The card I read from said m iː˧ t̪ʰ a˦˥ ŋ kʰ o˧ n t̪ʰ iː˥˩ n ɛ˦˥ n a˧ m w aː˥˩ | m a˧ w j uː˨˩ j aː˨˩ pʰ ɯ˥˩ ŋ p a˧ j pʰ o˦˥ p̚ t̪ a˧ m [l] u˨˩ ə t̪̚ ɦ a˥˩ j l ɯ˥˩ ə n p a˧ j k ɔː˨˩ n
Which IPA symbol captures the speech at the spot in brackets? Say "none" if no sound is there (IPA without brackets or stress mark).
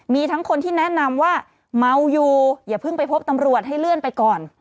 ɾ